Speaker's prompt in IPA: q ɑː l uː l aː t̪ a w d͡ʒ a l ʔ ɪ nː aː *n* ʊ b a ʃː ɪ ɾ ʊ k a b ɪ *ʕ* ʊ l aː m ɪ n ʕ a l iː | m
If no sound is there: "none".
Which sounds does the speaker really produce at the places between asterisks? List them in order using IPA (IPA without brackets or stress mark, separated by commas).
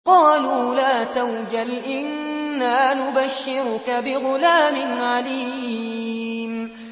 n, ɣ